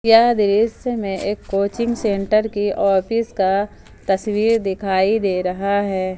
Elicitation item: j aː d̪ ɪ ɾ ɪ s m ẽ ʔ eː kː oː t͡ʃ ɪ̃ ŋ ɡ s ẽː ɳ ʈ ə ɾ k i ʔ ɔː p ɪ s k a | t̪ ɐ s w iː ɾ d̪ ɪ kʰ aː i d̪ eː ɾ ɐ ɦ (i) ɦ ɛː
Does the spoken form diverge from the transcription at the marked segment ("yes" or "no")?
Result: yes